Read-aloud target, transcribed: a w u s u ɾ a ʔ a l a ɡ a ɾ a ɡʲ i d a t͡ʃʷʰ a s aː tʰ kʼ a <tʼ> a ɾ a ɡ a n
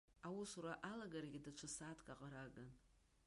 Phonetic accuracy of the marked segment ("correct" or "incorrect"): incorrect